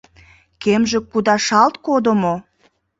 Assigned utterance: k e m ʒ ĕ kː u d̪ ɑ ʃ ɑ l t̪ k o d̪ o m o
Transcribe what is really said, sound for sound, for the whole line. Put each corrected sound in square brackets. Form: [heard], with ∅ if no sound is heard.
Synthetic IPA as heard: k e m ʒ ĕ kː u d̪ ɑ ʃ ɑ l t̪ k o d̪ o m o